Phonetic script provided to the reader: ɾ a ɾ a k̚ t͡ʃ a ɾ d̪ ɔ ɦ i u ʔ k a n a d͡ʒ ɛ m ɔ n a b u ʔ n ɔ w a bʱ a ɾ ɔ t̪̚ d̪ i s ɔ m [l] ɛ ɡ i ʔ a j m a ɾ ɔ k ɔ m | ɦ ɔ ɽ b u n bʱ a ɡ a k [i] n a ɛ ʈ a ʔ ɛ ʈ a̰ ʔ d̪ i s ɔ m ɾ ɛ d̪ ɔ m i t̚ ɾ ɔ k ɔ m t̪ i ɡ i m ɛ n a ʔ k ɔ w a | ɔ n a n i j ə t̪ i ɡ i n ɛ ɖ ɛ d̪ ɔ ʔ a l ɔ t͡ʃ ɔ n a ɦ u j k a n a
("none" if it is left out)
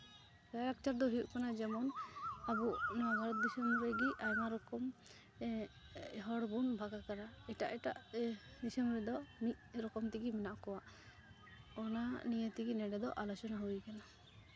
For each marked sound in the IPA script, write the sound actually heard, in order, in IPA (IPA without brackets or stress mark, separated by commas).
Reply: ɾ, a